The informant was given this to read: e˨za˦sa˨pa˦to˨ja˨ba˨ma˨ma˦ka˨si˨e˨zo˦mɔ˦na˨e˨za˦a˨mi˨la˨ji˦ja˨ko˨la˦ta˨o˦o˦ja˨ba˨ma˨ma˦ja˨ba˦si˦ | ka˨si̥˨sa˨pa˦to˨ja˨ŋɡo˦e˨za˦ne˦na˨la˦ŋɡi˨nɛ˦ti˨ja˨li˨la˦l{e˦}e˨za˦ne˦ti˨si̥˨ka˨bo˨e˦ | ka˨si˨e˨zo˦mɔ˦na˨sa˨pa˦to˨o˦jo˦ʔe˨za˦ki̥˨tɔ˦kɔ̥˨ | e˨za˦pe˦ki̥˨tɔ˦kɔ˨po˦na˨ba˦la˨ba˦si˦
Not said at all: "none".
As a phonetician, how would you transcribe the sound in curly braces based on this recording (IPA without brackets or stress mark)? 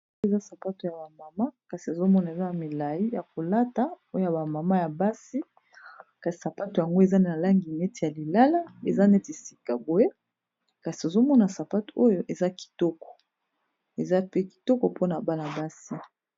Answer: a˦